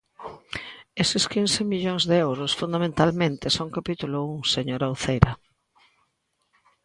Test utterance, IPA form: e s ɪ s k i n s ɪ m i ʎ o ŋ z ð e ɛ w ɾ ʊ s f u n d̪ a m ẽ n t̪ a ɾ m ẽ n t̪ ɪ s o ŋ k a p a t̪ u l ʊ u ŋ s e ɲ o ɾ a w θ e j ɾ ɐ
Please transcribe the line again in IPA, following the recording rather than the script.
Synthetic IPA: e s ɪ s k i n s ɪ m i ʎ o ŋ z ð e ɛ w ɾ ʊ s f u n d̪ a m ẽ n t̪ a l m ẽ n t̪ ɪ s o ŋ k a p i t̪ u l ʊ u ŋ s e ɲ o ɾ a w θ e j ɾ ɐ